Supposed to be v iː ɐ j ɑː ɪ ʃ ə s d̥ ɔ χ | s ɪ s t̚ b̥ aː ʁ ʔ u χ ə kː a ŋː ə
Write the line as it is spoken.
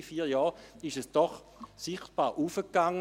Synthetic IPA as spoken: f iː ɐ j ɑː ɪ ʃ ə s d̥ ɔ χ | s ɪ χ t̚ b̥ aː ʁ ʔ u f ə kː a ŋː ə